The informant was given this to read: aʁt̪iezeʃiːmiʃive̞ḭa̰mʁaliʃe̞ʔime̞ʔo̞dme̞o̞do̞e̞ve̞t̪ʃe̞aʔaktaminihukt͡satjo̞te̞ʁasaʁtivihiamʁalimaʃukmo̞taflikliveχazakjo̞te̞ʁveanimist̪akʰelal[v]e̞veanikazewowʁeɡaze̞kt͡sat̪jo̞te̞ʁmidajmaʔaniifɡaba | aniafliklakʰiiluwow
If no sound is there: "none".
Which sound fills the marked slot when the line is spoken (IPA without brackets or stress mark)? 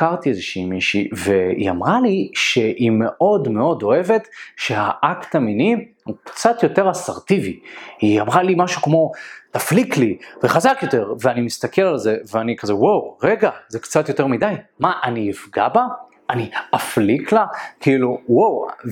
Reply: z